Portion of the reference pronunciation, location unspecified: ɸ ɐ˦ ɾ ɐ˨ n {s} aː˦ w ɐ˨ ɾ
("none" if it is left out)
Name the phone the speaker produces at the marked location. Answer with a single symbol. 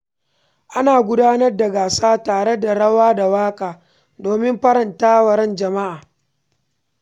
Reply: t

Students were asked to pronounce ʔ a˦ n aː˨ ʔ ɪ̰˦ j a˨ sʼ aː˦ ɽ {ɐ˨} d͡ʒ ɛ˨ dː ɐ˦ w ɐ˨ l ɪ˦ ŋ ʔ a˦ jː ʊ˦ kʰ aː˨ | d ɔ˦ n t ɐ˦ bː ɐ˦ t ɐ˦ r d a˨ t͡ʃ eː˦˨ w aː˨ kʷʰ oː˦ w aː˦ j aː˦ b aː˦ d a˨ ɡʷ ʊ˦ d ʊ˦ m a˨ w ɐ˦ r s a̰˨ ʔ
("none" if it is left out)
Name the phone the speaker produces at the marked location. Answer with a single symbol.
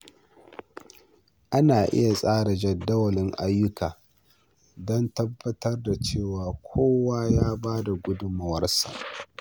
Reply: a˨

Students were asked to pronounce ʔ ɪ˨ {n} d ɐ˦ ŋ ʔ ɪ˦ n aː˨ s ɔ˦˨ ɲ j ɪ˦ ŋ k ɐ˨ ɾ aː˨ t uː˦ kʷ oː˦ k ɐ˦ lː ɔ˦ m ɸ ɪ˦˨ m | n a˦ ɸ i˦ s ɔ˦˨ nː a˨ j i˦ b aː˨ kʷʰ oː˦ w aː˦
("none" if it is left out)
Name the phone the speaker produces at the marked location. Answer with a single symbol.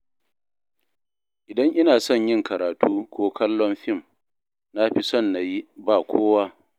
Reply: none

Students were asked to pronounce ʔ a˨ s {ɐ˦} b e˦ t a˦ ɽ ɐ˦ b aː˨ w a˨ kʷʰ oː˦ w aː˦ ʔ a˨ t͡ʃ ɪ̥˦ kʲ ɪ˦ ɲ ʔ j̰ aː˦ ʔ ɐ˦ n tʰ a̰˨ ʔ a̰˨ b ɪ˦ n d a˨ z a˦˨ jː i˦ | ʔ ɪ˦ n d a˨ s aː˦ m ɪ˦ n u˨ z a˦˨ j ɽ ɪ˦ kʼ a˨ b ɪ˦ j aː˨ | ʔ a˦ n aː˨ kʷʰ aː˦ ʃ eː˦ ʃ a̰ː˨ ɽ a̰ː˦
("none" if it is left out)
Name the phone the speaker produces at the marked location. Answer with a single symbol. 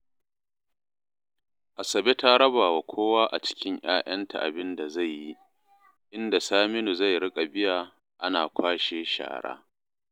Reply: ɐ˨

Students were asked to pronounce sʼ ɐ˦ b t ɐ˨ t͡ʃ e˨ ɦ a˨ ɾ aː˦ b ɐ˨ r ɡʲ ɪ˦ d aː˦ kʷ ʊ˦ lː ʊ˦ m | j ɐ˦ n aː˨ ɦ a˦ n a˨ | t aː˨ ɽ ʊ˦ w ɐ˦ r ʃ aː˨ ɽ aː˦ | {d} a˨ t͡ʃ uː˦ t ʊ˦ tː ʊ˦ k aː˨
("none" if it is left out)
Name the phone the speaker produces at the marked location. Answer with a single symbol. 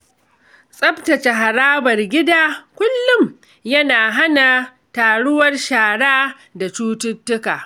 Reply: d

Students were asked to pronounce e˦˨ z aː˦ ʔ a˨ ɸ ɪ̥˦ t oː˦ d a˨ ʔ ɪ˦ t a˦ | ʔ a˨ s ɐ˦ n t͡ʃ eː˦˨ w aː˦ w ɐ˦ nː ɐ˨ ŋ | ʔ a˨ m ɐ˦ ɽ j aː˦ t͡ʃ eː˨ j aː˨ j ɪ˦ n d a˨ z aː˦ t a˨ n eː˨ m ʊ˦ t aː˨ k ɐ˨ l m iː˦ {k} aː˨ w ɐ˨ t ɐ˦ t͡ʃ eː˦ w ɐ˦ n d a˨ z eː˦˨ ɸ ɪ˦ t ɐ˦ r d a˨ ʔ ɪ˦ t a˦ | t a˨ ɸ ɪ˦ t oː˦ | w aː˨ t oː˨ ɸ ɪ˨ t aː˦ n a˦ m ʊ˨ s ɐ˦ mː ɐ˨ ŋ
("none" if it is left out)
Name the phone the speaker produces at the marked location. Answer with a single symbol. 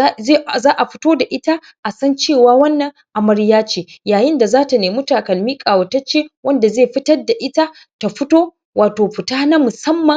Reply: kʼ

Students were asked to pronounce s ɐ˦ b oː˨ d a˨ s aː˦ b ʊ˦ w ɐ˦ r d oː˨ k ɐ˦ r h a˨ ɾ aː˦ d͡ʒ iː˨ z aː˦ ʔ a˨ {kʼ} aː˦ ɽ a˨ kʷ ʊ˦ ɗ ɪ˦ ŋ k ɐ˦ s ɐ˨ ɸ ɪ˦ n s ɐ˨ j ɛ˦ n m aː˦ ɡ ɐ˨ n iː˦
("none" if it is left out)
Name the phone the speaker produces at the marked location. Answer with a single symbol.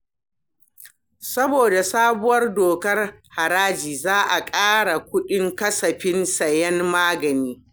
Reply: kʼ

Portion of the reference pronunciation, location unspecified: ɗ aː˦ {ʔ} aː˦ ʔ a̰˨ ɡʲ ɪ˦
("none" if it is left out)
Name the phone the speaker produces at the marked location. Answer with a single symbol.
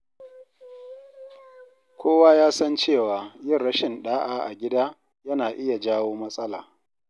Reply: ʔ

